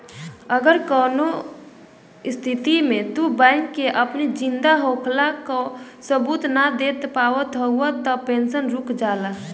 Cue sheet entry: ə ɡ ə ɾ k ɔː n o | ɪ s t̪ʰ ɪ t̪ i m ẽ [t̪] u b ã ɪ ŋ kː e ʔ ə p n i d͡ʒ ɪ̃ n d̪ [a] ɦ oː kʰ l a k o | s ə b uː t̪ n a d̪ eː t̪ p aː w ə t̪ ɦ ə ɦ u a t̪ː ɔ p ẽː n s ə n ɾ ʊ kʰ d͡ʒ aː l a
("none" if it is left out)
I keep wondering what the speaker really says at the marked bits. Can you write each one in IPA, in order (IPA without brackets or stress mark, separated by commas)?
t̪, a